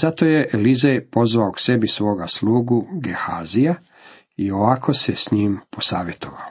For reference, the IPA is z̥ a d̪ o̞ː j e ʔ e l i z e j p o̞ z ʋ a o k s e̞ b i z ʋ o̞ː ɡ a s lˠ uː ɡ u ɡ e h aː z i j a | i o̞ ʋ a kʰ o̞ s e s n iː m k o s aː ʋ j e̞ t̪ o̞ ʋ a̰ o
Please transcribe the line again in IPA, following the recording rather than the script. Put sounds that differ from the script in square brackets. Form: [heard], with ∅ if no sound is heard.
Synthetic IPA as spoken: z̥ a [t̪] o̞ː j e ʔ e l i z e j p o̞ z ʋ a o k s e̞ b i [s] ʋ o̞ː ɡ a s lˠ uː ɡ u ɡ e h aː z i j a | i o̞ ʋ a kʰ o̞ s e s [ɲ] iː m [p] o s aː ʋ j e̞ t̪ o̞ ʋ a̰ o